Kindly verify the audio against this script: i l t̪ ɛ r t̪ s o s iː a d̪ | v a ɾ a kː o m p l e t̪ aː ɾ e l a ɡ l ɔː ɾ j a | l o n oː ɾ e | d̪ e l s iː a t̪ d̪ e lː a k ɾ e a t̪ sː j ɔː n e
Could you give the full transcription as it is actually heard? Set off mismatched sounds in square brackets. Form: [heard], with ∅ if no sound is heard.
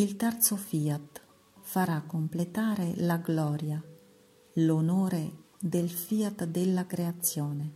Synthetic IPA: i l t̪ ɛ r t̪ s o [f] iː a [t̪] | [f] a ɾ a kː o m p l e t̪ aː ɾ e l a ɡ l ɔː ɾ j a | l o n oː ɾ e | d̪ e l [f] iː a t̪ d̪ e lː a k ɾ e a t̪ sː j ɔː n e